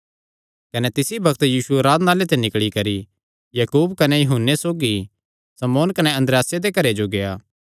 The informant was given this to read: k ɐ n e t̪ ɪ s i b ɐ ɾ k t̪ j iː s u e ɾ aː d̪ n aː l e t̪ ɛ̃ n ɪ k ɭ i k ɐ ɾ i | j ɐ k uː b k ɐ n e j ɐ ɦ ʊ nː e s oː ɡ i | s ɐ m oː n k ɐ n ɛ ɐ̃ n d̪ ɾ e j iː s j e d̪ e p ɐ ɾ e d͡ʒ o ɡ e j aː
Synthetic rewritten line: k ɐ n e t̪ ɪ s i b ɐ k t̪ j iː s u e ɾ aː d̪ n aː l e t̪ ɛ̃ n ɪ k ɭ i k ɐ ɾ i | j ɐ k uː b k ɐ n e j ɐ ɦ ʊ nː e s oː ɡ i | s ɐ m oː n k ɐ n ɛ ɐ̃ n d̪ ɾ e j aː s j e d̪ e k ɐ ɾ e d͡ʒ o ɡ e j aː